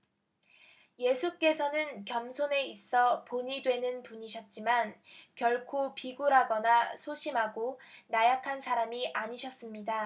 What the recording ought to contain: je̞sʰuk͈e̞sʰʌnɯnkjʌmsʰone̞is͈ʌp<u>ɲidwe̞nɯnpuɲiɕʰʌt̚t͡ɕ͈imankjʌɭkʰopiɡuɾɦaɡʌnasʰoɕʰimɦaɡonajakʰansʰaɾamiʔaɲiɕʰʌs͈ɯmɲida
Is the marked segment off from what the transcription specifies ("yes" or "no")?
yes